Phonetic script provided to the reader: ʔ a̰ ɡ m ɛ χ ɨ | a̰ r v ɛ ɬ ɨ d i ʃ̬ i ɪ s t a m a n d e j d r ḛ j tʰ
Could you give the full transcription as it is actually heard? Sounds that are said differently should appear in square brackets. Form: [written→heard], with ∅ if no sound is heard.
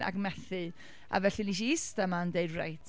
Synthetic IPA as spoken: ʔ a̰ ɡ m ɛ [χ→θ] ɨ | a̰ [r→∅] v ɛ ɬ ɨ [d→n] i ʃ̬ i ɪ s t a m a n d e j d r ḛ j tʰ